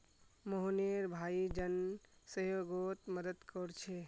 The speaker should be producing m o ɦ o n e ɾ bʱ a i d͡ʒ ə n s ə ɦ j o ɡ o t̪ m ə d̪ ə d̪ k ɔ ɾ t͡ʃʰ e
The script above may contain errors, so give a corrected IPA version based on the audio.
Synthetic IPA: m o ɦ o n e ɾ bʱ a i d͡ʒ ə n s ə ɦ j o ɡ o t̪ m ə d̪ ə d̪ k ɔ ɾ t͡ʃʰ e

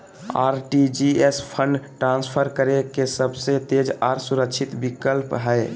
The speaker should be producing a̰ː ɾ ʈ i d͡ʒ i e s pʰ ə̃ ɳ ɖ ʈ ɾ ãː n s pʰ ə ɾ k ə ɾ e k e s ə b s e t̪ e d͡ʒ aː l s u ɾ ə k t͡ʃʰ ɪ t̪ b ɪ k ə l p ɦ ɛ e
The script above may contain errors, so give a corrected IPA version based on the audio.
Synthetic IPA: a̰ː ɾ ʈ i d͡ʒ i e s pʰ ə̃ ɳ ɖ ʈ ɾ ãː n s pʰ ə ɾ k ə ɾ e k e s ə b s e t̪ e d͡ʒ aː ɾ s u ɾ ə k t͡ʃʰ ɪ t̪ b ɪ k ə l p ɦ ɛ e

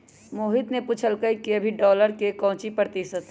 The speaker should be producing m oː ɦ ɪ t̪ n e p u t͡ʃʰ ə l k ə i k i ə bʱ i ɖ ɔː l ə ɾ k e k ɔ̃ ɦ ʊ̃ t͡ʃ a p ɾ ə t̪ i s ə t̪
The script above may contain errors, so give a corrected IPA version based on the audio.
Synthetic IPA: m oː ɦ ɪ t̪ n e p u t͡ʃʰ ə l k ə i k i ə bʱ i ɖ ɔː l ə ɾ k e k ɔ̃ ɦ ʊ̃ t͡ʃ i p ɾ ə t̪ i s ə t̪

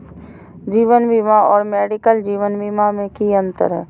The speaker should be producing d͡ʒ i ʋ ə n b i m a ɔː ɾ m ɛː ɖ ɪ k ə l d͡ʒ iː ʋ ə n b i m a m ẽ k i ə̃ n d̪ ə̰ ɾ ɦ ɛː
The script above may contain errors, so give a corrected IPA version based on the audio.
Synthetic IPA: d͡ʒ iː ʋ ə n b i m a ɔː ɾ m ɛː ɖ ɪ k ə l d͡ʒ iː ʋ ə n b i m a m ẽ k i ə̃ n t̪ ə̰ ɾ ɦ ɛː

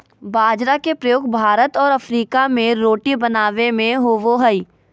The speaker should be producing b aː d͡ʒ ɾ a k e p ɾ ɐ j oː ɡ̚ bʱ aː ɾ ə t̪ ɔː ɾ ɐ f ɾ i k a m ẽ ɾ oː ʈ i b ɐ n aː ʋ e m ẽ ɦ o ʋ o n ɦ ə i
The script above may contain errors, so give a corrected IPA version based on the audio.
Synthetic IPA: b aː d͡ʒ ɾ a k e p ɾ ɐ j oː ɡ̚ bʱ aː ɾ ə t̪ ɔː ɾ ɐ f ɾ iː k a m ẽ ɾ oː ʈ i b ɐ n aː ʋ e m ẽ ɦ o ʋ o ɦ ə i

